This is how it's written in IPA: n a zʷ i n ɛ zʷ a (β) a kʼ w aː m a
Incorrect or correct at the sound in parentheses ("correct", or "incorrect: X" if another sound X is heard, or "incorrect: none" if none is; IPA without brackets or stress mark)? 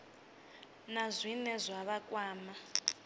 correct